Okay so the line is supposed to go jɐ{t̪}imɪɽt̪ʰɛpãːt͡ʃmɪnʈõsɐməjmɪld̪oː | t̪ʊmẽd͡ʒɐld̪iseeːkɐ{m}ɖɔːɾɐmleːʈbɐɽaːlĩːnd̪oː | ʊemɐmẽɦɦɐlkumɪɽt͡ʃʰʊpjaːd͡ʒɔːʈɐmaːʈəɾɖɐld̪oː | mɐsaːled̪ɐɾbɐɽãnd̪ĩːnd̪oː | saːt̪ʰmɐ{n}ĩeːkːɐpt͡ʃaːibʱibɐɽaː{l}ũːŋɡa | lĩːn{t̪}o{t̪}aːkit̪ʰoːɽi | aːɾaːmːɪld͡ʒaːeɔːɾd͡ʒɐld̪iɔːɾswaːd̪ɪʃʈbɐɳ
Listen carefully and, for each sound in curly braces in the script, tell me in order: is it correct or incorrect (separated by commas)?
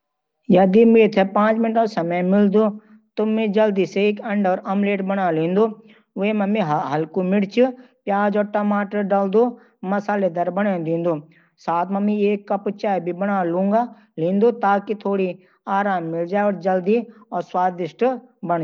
incorrect, incorrect, incorrect, correct, incorrect, correct